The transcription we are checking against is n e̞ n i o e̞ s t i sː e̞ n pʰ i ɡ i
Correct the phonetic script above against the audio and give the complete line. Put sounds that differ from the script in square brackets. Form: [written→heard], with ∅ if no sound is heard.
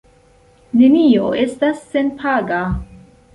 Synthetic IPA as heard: n e̞ n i o e̞ s t [i→a] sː e̞ n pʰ [i→a] ɡ [i→a]